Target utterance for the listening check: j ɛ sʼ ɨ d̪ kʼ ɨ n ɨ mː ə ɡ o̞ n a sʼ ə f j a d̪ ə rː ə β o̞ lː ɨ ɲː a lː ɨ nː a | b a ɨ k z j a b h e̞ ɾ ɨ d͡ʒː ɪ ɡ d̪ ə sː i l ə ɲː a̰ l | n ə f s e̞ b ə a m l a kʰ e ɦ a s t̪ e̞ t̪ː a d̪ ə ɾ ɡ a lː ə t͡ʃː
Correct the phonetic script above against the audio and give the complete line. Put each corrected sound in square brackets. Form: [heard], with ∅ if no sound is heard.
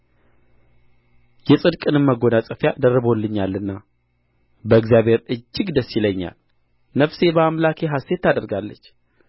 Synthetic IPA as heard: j ɛ sʼ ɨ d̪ kʼ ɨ n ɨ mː ə ɡ o̞ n a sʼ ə f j a d̪ ə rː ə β o̞ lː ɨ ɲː a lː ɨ nː a | b [ə] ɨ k z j a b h e̞ ɾ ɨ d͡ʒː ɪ ɡ d̪ ə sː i l ə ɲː a̰ l | n ə f s e̞ b ə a m l a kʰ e ɦ a s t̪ e̞ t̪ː a d̪ ə ɾ ɡ a lː ə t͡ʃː

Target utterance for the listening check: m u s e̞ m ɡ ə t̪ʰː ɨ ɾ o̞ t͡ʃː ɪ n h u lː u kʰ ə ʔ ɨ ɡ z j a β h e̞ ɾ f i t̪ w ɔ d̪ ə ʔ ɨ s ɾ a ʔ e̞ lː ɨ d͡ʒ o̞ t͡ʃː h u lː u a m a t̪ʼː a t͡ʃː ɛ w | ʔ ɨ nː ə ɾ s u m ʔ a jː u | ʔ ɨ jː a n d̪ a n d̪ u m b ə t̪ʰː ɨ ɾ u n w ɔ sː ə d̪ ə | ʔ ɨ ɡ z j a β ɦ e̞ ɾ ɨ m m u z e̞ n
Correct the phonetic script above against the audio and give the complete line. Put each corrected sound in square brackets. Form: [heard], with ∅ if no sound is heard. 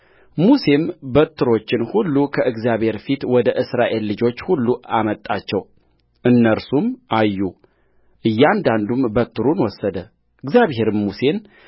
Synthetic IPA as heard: m u s e̞ m [b] ə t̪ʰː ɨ ɾ o̞ t͡ʃː ɪ n h u lː u kʰ ə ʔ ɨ ɡ z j a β h e̞ ɾ f i t̪ w ɔ d̪ ə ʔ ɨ s ɾ a ʔ e̞ lː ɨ d͡ʒ o̞ t͡ʃː h u lː u a m [ə] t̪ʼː a t͡ʃː ɛ w | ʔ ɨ nː ə ɾ s u m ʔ a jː u | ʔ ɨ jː a n d̪ a n d̪ u m b ə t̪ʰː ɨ ɾ u n w ɔ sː ə d̪ ə | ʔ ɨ ɡ z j a β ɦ e̞ ɾ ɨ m m u [s] e̞ n

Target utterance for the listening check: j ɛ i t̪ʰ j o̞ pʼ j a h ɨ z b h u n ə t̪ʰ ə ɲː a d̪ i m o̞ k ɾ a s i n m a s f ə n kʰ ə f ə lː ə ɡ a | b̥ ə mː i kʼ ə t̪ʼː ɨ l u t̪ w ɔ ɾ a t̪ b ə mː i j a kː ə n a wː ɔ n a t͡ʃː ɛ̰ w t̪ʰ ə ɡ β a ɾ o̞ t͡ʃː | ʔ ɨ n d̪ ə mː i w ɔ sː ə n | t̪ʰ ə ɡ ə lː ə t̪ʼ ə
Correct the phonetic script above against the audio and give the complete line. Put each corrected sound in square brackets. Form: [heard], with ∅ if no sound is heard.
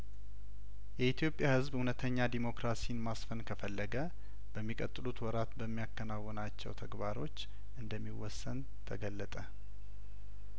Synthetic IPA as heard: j ɛ i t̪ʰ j o̞ pʼ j a h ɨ z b h u n ə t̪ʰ ə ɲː a d̪ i m o̞ k ɾ a s i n m a s f ə n kʰ ə f ə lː ə ɡ [ə] | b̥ ə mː i kʼ ə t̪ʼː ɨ l u t̪ w ɔ ɾ a t̪ b ə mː i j a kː ə n a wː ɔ n a t͡ʃː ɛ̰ w t̪ʰ ə ɡ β a ɾ o̞ t͡ʃː | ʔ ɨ n d̪ ə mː i w ɔ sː ə n | t̪ʰ ə ɡ ə lː ə t̪ʼ ə

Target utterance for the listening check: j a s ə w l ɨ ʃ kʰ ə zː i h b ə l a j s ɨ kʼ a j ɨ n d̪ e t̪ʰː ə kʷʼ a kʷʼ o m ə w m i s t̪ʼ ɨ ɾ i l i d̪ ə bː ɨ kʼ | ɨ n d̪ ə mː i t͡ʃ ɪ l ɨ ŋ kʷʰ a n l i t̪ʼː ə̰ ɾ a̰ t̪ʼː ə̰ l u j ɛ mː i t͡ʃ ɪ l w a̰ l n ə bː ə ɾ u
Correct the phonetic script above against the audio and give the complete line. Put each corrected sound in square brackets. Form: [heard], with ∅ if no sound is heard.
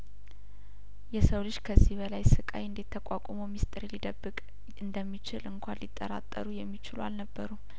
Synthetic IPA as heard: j [ɛ] s ə w l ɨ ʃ kʰ ə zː i h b ə l a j s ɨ kʼ a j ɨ n d̪ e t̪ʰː ə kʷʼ a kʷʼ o m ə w m i s t̪ʼ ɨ ɾ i l i d̪ ə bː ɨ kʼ | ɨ n d̪ ə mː i t͡ʃ ɪ l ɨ ŋ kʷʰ a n l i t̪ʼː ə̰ ɾ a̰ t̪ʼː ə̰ [ɾ] u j ɛ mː i t͡ʃ ɪ l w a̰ l n ə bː ə ɾ u

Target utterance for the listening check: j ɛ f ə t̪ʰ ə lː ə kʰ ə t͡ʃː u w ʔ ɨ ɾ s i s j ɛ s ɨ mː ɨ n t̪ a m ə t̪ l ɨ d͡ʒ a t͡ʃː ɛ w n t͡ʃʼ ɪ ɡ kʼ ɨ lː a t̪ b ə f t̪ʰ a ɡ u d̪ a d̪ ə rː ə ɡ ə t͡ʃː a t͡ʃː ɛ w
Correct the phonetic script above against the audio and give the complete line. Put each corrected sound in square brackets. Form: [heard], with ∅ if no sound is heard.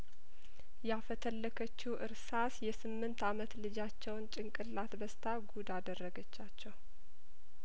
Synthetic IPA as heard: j [a] f ə t̪ʰ ə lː ə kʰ ə t͡ʃː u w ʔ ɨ ɾ s [a] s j ɛ s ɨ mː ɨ n t̪ a m ə t̪ l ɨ d͡ʒ a t͡ʃː ɛ w n t͡ʃʼ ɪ [ŋ] kʼ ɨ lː a t̪ b ə [s] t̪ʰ a ɡ u d̪ a d̪ ə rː ə ɡ ə t͡ʃː a t͡ʃː ɛ w

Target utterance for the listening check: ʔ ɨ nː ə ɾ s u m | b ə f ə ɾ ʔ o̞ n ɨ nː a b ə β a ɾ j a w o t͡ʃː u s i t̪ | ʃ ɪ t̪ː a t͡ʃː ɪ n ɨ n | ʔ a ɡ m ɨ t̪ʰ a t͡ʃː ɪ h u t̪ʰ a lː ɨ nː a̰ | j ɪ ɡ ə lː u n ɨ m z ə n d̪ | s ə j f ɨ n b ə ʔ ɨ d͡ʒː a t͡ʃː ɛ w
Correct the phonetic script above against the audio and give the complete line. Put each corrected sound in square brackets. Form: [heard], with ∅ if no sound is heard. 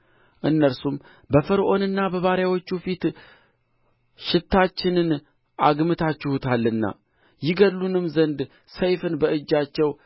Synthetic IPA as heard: ʔ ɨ nː ə ɾ s u m | b ə f ə ɾ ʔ o̞ n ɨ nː a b ə β a ɾ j a w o t͡ʃː u [f] i t̪ | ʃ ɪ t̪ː a t͡ʃː ɪ n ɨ n | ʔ a ɡ m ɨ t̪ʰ a t͡ʃː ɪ h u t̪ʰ a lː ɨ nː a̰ | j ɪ ɡ ə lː u n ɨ m z ə n d̪ | s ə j f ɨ n b ə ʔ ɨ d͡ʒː a t͡ʃː ɛ w

